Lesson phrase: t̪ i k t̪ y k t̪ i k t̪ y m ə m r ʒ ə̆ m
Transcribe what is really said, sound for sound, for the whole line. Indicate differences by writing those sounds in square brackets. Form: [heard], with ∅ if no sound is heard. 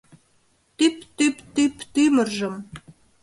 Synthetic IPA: t̪ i [p] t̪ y [p] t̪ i [p] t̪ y m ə [∅] r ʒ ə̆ m